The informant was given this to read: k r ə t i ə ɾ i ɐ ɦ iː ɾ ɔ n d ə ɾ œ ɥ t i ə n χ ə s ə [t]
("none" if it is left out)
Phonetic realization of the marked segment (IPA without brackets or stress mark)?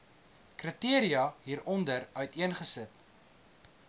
t